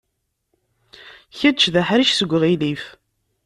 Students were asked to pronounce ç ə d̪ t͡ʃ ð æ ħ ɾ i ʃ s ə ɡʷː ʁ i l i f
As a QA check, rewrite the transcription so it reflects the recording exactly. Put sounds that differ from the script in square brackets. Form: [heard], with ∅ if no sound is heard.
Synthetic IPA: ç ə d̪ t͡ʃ ð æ ħ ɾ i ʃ s ə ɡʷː ʁ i l i f